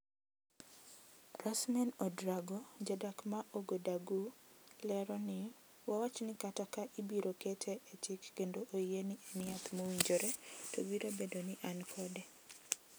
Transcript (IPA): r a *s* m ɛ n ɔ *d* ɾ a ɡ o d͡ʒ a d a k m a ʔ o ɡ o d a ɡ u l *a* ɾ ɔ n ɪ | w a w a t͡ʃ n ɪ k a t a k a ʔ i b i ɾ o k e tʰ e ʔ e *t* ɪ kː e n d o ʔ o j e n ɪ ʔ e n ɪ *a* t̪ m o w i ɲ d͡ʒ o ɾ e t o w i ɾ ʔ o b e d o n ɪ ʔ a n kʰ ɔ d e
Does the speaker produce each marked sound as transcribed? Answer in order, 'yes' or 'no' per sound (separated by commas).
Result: yes, yes, no, no, yes